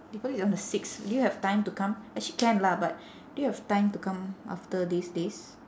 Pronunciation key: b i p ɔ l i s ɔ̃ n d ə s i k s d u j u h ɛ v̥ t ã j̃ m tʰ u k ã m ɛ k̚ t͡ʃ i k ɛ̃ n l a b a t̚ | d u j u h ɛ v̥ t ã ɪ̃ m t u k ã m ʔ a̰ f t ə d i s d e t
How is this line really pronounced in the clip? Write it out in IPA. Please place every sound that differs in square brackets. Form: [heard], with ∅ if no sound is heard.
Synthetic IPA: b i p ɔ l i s ɔ̃ n d ə s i k s d u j u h ɛ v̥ t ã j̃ m [t] u k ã m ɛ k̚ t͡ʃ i k ɛ̃ n l a b a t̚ | d u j u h ɛ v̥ t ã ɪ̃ m t u k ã m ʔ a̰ f t ə d i s d e [s]